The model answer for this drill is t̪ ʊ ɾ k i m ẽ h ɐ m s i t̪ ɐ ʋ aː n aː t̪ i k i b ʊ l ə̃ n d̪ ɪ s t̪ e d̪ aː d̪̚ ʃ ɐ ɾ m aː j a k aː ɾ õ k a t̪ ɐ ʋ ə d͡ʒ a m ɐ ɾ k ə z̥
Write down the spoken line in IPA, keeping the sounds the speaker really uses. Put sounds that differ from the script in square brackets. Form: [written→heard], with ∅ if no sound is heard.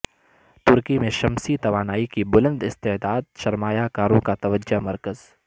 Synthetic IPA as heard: t̪ ʊ ɾ k i m ẽ [h→ʃ] ɐ m s i t̪ ɐ ʋ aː n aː [t̪→∅] i k i b ʊ l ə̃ n d̪ ɪ s t̪ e d̪ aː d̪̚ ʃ ɐ ɾ m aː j a k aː ɾ õ k a t̪ ɐ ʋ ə d͡ʒ a m ɐ ɾ k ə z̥